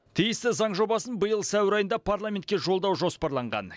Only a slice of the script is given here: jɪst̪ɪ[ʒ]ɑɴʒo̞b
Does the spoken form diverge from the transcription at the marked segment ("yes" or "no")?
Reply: yes